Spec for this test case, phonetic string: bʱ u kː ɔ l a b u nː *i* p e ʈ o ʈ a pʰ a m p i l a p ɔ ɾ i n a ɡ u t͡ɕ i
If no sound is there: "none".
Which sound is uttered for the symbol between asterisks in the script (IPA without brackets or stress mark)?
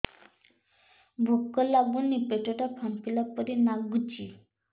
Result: i